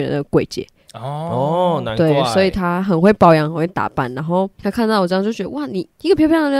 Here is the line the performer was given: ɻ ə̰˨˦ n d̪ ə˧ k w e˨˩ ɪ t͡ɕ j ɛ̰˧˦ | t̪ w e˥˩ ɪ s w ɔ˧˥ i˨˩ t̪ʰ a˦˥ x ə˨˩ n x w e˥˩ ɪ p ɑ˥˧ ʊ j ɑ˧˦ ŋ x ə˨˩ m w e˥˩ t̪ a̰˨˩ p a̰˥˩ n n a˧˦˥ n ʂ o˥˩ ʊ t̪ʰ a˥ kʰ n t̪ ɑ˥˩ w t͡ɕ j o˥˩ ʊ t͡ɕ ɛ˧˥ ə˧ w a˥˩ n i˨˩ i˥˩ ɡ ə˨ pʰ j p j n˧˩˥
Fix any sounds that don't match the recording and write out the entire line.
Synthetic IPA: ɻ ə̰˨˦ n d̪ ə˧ k w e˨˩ ɪ t͡ɕ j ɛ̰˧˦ | t̪ w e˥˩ ɪ s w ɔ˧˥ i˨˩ t̪ʰ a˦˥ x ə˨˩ n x w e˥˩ ɪ p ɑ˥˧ ʊ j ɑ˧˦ ŋ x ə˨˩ n w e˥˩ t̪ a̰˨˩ p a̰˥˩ n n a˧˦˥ n x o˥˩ ʊ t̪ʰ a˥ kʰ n t̪ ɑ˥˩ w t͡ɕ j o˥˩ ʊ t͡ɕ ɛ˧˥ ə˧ w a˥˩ n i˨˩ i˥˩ ɡ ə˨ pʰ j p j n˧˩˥